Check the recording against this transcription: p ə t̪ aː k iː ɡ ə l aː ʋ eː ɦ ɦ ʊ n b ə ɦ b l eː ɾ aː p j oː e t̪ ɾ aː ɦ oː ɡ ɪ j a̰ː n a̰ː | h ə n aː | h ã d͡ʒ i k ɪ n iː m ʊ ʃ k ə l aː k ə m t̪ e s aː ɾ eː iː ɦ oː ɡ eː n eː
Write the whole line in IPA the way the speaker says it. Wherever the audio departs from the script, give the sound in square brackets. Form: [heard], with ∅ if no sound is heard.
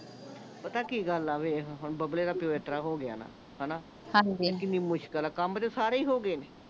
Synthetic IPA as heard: p ə t̪ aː k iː ɡ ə l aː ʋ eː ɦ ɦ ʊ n b ə [∅] b l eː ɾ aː p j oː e t̪ ɾ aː ɦ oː ɡ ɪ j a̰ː n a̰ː | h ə n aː | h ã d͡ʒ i k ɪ n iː m ʊ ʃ k ə l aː k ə m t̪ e s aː ɾ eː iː ɦ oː ɡ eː n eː

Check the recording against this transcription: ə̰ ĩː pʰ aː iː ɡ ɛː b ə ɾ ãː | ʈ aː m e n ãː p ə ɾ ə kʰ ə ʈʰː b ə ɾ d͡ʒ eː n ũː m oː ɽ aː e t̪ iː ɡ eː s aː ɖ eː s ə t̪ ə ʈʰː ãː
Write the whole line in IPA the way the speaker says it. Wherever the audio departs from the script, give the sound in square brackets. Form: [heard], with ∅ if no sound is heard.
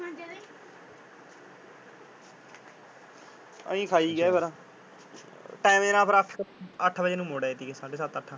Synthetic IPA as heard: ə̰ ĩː [kʰ] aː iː ɡ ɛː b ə ɾ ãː | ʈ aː m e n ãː p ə ɾ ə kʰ ə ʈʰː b ə [∅] d͡ʒ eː n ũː m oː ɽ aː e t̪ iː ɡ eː s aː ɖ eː s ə t̪ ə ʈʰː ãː

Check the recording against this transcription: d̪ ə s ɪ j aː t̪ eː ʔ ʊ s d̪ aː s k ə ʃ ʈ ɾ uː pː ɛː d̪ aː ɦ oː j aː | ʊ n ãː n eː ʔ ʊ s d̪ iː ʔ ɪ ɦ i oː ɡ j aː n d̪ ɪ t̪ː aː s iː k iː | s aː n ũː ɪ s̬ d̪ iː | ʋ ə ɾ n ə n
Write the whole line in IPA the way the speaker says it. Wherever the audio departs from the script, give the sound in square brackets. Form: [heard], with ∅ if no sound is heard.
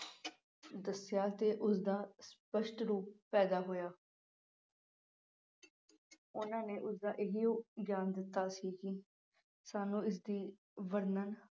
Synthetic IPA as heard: d̪ ə s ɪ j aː t̪ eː ʔ ʊ s d̪ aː s [p] ə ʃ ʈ ɾ uː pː ɛː d̪ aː ɦ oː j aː | ʊ n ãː n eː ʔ ʊ s d̪ [aː] ʔ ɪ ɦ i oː ɡ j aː n d̪ ɪ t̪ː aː s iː k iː | s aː n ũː ɪ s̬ d̪ iː | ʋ ə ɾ n ə n

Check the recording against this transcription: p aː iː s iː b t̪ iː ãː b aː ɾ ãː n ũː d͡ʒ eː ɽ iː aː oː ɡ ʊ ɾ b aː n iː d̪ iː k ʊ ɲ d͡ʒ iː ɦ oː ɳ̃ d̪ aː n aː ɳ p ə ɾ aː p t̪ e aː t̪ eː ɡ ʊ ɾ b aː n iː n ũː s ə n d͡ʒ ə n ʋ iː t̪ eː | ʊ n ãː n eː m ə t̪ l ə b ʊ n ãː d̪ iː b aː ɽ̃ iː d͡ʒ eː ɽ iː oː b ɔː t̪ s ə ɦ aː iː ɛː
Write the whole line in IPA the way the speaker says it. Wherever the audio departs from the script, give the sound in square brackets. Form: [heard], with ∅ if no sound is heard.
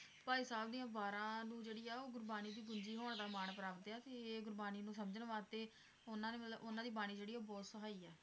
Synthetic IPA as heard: p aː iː s [aː] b [d̪] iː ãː b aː ɾ ãː n ũː d͡ʒ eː ɽ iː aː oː ɡ ʊ ɾ b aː n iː d̪ iː [ɡ] ʊ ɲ d͡ʒ iː ɦ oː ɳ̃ d̪ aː [m] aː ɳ p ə ɾ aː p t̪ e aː t̪ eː ɡ ʊ ɾ b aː n iː n ũː s ə [m] d͡ʒ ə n ʋ [aː] t̪ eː | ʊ n ãː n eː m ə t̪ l ə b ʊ n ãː d̪ iː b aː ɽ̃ iː d͡ʒ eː ɽ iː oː b ɔː t̪ s ə ɦ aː iː ɛː

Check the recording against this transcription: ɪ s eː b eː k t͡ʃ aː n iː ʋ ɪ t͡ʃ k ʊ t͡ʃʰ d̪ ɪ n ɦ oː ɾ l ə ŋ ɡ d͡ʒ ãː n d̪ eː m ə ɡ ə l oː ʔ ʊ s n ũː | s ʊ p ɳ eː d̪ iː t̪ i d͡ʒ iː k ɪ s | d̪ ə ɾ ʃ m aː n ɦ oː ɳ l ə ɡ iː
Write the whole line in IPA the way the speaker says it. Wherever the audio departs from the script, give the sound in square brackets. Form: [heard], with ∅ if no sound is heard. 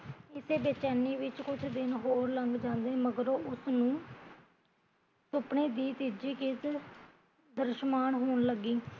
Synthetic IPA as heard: ɪ s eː b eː [∅] t͡ʃ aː n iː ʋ ɪ t͡ʃ k ʊ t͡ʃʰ d̪ ɪ n ɦ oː ɾ l ə ŋ ɡ d͡ʒ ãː n d̪ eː m ə ɡ ə [ɾ] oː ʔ ʊ s n ũː | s ʊ p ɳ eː d̪ iː t̪ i d͡ʒ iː k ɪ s | d̪ ə ɾ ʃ m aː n ɦ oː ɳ l ə ɡ iː

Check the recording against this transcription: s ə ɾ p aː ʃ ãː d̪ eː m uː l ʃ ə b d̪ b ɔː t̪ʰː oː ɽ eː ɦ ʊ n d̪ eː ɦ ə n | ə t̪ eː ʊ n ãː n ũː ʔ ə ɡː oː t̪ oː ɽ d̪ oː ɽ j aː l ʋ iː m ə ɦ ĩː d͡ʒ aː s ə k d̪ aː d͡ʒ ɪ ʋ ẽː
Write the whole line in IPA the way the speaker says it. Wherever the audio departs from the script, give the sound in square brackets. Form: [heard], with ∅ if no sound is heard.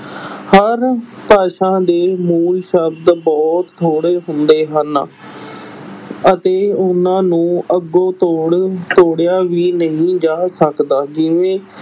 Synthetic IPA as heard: [h] ə ɾ p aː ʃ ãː d̪ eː m uː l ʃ ə b d̪ b ɔː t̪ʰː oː ɽ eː ɦ ʊ n d̪ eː ɦ ə n | ə t̪ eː ʊ n ãː n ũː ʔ ə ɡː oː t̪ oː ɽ [t̪] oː ɽ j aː [∅] ʋ iː [n] ə ɦ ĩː d͡ʒ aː s ə k d̪ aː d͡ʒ ɪ ʋ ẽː

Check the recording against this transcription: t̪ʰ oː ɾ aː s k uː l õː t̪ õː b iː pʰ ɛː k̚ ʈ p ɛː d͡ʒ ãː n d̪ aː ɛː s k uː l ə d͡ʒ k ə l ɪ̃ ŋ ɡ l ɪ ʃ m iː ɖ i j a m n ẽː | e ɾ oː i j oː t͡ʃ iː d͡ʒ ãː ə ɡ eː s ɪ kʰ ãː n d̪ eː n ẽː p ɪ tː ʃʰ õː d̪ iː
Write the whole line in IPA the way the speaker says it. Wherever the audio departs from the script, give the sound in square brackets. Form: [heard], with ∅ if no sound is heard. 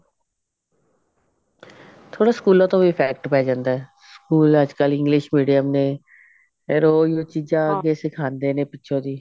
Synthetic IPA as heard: t̪ʰ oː [ɽ] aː s k uː l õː t̪ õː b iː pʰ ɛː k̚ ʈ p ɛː d͡ʒ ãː n d̪ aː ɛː s k uː l ə d͡ʒ k ə l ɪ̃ ŋ ɡ l ɪ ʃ m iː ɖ i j [ə] m n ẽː | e ɾ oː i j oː t͡ʃ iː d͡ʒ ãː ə ɡ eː s ɪ kʰ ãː n d̪ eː n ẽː p ɪ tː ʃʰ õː d̪ iː

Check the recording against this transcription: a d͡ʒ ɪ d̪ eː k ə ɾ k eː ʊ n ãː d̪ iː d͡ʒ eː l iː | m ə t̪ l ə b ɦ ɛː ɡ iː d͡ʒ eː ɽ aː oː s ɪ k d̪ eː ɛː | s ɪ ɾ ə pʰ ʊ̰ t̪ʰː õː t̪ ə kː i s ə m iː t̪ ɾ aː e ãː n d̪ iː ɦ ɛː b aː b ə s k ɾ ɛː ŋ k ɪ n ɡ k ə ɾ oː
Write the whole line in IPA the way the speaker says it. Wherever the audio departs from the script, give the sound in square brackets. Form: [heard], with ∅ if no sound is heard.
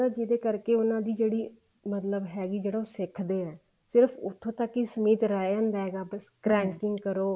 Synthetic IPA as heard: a d͡ʒ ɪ d̪ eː k ə ɾ k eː ʊ n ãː d̪ iː d͡ʒ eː [ɽ] iː | m ə t̪ l ə b ɦ ɛː ɡ iː d͡ʒ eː ɽ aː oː s ɪ [kʰ] d̪ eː ɛː | s ɪ ɾ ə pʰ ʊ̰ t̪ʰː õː t̪ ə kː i s ə m iː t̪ ɾ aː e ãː n d̪ [aː] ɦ ɛː [ɡ] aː b ə s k ɾ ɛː ŋ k ɪ [ŋ] ɡ k ə ɾ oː

